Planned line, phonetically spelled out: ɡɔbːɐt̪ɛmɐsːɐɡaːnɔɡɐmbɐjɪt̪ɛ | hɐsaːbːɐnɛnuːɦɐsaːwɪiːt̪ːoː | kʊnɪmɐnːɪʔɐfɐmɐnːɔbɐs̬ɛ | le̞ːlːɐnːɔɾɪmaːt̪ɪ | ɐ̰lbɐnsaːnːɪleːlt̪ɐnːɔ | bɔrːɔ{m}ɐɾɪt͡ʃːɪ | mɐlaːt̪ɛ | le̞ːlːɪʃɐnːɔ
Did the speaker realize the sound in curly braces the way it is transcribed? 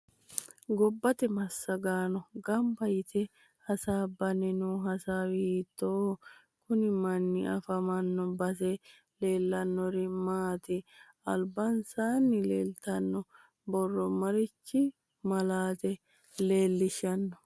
yes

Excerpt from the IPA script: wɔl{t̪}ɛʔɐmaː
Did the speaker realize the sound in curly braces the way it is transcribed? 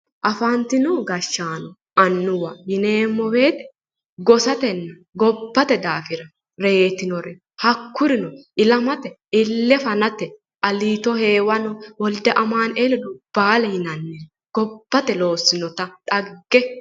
no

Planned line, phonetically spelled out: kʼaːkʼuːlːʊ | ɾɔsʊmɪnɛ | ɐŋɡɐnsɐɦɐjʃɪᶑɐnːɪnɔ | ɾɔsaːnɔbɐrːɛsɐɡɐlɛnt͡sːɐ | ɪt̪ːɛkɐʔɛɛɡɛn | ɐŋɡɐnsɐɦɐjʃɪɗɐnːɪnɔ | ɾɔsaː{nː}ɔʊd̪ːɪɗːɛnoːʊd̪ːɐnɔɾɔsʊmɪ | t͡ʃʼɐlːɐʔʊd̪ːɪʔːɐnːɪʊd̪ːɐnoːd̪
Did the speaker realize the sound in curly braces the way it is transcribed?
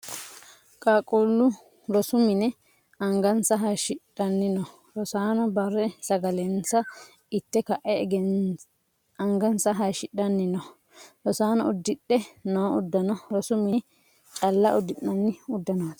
no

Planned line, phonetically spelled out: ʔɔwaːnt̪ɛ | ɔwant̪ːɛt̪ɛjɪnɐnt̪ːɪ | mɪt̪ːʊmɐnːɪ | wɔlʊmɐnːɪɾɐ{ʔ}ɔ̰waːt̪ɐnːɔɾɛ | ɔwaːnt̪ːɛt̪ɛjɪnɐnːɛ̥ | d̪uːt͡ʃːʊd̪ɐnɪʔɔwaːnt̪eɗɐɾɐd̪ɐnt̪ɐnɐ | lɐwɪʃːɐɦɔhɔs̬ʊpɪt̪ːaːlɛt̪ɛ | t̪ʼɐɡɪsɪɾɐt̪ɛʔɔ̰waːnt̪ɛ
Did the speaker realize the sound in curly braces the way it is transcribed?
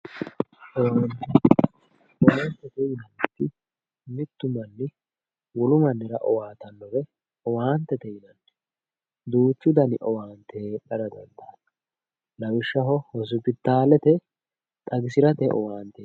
yes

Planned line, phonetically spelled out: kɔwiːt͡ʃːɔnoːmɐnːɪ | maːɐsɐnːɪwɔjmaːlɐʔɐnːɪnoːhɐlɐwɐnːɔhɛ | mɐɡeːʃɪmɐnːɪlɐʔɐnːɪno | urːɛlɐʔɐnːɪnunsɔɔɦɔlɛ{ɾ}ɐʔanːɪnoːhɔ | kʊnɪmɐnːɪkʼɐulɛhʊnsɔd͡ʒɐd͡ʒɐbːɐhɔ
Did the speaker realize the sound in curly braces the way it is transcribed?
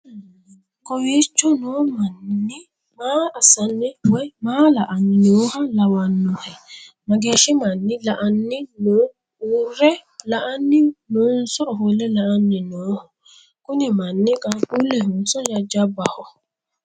no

